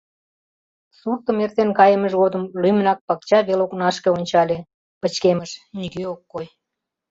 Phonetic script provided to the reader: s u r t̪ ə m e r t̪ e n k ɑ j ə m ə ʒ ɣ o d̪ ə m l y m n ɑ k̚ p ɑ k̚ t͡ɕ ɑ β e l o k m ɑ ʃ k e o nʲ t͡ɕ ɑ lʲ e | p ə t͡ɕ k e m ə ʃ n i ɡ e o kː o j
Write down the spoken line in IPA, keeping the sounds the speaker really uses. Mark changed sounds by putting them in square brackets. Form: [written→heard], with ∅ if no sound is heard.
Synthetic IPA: s u r t̪ ə m e r t̪ e n k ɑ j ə m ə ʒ ɣ o d̪ ə m l y m n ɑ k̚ p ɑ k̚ t͡ɕ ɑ β e l o k [m→n] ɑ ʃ k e o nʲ t͡ɕ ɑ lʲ e | p ə t͡ɕ k e m ə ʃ n i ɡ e o kː o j